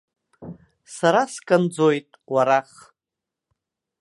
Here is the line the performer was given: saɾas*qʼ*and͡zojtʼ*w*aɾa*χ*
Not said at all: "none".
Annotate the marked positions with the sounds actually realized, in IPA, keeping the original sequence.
kʼ, w, χ

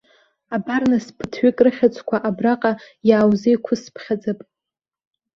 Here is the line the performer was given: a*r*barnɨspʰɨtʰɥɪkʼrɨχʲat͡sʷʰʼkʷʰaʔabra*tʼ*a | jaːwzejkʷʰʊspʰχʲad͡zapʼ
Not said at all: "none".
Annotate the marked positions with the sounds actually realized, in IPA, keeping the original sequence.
none, qʼ

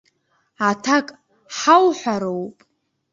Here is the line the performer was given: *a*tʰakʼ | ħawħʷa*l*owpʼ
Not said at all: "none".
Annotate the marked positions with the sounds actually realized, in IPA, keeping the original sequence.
a, ɾ

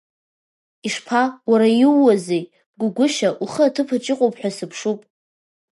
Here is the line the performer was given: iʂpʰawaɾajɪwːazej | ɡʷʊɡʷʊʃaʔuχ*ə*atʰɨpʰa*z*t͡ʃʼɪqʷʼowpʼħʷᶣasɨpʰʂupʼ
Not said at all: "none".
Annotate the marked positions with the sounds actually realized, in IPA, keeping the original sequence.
ə, none

